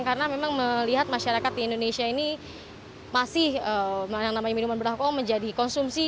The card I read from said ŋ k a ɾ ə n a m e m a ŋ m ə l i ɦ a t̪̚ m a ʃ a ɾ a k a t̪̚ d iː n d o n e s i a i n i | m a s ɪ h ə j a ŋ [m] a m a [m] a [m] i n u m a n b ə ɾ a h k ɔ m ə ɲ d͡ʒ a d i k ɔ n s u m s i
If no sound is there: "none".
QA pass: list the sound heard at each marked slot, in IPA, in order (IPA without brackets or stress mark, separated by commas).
n, ɲ, m